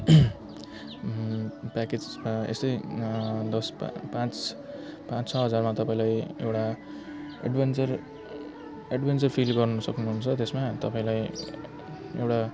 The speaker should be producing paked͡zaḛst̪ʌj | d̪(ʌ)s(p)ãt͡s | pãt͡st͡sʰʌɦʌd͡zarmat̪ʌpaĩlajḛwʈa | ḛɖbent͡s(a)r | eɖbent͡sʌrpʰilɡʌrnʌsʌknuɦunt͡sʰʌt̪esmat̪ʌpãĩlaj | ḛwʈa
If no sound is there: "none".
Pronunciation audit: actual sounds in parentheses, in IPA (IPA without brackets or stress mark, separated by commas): ʌ, p, ʌ